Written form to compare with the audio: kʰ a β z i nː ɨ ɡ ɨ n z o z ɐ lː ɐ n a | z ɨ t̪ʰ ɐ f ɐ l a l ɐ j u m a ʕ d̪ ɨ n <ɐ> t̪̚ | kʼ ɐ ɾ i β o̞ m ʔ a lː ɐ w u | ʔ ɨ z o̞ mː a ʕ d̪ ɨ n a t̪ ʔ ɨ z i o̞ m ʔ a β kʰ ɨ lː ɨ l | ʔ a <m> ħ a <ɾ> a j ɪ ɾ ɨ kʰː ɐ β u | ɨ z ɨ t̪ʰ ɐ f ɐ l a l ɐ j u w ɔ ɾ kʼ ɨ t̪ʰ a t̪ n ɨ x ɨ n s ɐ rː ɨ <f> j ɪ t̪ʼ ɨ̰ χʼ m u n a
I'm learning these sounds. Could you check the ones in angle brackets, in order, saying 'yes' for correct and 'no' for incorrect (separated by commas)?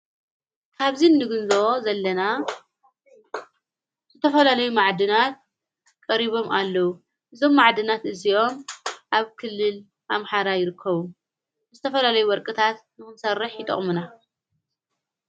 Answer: no, yes, yes, no